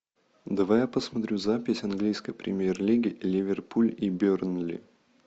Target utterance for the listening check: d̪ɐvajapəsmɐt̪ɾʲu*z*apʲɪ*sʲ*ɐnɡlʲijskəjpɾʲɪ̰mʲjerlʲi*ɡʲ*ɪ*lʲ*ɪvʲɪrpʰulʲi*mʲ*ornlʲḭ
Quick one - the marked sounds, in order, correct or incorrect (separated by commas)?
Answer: correct, correct, correct, correct, incorrect